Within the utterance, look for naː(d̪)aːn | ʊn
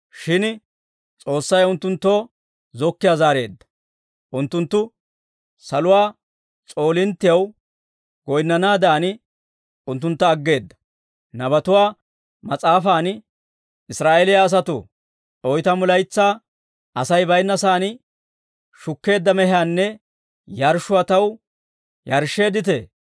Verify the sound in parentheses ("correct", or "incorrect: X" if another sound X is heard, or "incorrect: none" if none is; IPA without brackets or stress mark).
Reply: correct